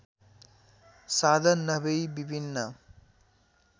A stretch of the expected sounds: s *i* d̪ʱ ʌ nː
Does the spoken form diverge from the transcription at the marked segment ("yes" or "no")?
yes